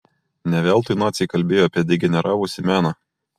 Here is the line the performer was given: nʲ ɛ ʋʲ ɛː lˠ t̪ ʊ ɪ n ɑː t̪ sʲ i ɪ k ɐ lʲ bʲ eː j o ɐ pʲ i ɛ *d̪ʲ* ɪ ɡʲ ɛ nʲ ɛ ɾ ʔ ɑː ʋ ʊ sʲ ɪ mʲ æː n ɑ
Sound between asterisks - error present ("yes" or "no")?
no